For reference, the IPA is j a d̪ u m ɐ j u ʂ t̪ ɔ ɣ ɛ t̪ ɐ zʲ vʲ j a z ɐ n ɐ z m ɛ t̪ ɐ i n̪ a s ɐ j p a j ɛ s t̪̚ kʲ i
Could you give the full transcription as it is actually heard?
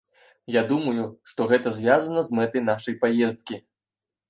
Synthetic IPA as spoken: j a d̪ u m ɐ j u ʂ t̪ ɔ ɣ ɛ t̪ ɐ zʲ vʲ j a z ɐ n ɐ z m ɛ t̪ ɐ j n̪ a ʂ ɐ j p a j ɛ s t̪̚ kʲ i